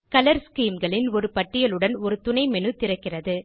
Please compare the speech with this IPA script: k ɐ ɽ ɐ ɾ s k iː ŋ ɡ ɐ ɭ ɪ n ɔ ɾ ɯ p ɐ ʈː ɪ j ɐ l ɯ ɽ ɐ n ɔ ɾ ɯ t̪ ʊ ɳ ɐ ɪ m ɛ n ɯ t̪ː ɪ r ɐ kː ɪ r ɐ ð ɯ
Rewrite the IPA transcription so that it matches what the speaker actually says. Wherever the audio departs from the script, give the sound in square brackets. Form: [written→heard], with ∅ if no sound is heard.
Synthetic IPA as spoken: k ɐ [ɽ→l] ɐ ɾ s k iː [ŋ→m] ɡ ɐ ɭ ɪ n ɔ ɾ ɯ p ɐ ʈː ɪ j ɐ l ɯ ɽ ɐ n ɔ ɾ ɯ t̪ ʊ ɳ ɐ ɪ m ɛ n ɯ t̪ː ɪ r ɐ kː ɪ r ɐ ð ɯ